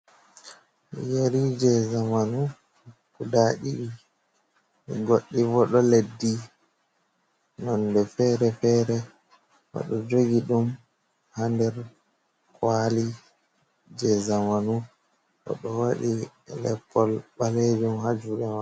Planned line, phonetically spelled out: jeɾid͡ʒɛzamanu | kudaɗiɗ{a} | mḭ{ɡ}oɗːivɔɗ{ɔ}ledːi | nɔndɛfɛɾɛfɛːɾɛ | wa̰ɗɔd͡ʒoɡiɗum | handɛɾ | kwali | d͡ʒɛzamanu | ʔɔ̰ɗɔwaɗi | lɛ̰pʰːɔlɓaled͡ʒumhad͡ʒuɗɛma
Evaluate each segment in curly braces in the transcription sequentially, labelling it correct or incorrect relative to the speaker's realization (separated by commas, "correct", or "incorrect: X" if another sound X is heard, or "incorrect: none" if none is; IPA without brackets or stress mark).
incorrect: i, correct, correct